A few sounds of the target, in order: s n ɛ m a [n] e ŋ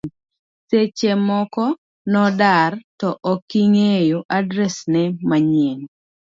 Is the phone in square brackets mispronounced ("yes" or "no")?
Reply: yes